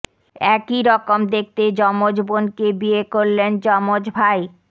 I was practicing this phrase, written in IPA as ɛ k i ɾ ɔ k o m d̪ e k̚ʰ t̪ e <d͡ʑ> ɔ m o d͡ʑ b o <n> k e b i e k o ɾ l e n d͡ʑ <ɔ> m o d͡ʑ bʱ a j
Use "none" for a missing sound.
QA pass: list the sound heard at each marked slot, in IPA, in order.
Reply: d͡ʑ, n, ɔ

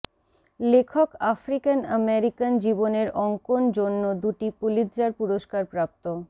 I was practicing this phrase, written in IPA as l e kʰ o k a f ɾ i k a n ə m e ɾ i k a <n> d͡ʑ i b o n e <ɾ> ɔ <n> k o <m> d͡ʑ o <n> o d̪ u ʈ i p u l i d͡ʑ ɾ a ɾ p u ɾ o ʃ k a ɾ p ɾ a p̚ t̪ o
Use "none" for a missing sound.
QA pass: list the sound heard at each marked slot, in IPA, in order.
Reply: n, ɾ, ŋ, n, nː

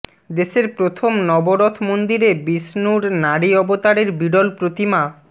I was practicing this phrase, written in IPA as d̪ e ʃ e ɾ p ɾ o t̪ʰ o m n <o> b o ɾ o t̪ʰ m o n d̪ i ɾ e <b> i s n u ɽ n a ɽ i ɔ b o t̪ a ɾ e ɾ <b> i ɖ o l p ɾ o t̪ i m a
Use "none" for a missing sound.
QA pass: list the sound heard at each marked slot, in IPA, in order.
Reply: ɔ, b, b

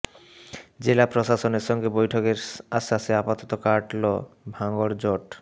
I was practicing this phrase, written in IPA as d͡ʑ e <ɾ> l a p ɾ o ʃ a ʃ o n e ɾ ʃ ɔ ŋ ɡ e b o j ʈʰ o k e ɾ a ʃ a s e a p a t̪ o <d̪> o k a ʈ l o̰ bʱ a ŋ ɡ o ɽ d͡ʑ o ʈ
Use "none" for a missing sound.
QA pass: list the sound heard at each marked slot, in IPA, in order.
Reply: none, t̪

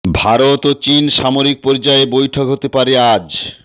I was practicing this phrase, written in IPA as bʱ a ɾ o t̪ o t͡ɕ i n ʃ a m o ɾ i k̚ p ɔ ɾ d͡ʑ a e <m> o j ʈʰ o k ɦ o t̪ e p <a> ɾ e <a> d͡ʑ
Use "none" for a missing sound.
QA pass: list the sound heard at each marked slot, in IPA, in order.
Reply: b, a, a

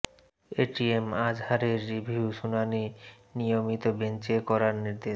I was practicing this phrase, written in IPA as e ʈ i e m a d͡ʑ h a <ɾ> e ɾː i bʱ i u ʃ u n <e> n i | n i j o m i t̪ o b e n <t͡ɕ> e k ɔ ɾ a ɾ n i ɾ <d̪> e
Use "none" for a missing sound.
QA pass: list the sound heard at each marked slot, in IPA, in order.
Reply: ɾ, a, t͡ɕ, d̪

